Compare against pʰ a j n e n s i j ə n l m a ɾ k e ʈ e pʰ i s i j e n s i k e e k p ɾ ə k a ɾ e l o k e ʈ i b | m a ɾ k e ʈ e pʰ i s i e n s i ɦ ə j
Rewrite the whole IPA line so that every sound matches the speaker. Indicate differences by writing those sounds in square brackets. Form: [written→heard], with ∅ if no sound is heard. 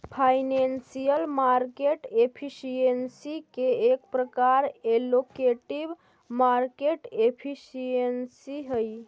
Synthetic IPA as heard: pʰ a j n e n s i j ə [n→∅] l m a ɾ k e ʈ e pʰ i s i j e n s i k e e k p ɾ ə k a ɾ e l o k e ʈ i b | m a ɾ k e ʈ e pʰ i s i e n s i ɦ ə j